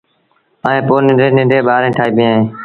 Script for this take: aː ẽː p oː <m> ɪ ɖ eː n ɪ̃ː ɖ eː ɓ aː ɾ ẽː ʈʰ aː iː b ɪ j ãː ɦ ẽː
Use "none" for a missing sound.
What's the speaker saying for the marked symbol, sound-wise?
n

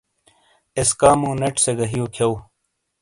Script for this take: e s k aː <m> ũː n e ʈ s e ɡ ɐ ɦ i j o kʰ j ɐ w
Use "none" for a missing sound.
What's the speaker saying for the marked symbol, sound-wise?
m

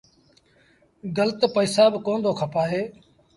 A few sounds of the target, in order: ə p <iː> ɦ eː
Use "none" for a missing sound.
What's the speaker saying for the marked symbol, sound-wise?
aː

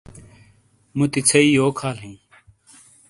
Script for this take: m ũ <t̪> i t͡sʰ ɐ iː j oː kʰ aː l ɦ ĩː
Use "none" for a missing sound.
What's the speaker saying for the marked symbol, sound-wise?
t̪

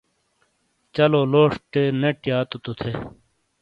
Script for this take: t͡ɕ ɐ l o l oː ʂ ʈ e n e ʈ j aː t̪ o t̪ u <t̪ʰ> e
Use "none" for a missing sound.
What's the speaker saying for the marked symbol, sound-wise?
t̪ʰ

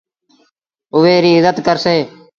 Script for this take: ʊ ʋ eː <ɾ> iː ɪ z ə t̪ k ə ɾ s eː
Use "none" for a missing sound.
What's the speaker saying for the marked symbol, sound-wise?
ɾ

